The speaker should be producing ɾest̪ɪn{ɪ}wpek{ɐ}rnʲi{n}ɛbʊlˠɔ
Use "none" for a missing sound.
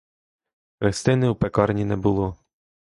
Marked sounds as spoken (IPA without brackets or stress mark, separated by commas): ɪ, ɑ, n